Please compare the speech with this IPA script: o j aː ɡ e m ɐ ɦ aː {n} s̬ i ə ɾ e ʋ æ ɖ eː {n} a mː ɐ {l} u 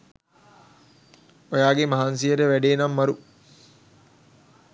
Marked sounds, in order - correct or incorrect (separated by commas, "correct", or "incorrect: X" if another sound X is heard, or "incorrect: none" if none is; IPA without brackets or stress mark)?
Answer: correct, correct, incorrect: ɾ